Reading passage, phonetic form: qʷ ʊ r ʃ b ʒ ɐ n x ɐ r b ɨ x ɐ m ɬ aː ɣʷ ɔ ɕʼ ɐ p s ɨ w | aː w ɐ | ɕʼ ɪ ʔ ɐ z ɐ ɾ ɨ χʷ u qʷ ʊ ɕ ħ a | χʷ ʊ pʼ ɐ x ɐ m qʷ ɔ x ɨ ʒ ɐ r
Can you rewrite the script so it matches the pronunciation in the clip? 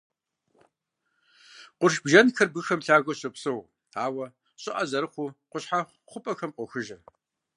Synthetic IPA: qʷ ʊ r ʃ b ʒ ɐ n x ɐ r b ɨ x ɐ m ɬ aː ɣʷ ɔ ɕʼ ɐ p s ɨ w | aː w ɐ | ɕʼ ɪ ʔ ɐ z ɐ ɾ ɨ χʷ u qʷ ʊ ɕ ħ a | χʷ ʊ pʼ ɐ x ɐ m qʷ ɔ x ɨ ʒ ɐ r